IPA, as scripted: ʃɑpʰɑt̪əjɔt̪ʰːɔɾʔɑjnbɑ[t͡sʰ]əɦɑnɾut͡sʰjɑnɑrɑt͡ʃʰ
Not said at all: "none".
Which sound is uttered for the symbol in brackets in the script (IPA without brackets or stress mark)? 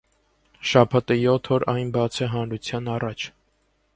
t͡sʰ